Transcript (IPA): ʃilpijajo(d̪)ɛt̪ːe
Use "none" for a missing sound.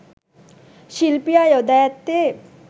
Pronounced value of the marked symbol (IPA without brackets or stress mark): d̪